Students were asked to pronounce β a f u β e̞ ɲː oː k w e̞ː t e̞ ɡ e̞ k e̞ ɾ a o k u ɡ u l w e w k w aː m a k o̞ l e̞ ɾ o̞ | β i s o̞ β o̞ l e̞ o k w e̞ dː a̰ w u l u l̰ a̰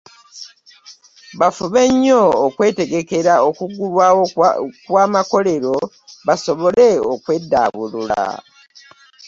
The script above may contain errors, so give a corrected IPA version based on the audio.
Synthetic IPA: β a f u β e̞ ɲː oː k w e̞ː t e̞ ɡ e̞ k e̞ ɾ a o k u ɡ u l w a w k w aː m a k o̞ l e̞ ɾ o̞ | β a s o̞ β o̞ l e̞ o k w e̞ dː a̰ β u l u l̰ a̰